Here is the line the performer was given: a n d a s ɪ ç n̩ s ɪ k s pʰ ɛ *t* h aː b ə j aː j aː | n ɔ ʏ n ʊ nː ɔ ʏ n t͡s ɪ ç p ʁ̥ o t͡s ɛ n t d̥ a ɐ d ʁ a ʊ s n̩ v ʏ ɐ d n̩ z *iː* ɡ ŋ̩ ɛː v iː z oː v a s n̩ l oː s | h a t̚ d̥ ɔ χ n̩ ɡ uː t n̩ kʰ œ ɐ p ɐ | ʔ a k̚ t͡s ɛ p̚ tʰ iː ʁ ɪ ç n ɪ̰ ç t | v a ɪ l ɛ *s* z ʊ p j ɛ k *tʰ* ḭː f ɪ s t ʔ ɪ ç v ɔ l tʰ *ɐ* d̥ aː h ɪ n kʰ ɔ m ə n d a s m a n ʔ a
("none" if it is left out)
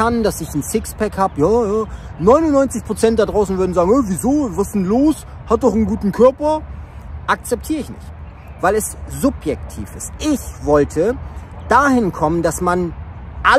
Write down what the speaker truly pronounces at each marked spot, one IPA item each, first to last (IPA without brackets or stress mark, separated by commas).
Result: k, aː, s, tʰ, ə